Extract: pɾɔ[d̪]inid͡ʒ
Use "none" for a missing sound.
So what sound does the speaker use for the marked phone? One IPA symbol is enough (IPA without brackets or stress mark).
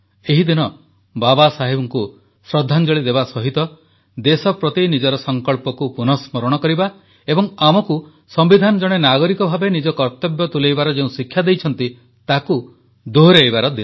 t̪